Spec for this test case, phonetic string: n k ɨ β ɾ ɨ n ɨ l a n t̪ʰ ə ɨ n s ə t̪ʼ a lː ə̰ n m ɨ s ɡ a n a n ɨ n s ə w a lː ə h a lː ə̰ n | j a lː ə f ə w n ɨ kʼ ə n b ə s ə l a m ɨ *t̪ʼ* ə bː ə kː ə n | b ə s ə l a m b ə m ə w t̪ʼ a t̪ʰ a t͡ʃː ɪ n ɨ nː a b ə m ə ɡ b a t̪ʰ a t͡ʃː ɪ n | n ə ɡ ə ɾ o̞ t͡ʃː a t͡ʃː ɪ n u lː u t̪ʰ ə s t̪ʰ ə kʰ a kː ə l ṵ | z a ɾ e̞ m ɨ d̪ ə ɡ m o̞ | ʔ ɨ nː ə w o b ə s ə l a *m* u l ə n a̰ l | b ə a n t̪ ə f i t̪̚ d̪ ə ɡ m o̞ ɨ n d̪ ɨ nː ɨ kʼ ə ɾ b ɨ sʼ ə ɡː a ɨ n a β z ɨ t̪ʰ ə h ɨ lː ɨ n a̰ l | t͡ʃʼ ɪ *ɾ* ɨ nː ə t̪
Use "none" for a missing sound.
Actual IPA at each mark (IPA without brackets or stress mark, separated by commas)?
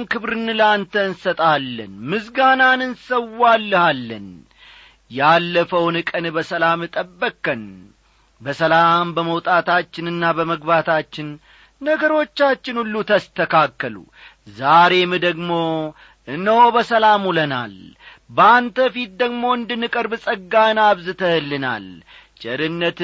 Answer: t̪ʼ, m, ɾ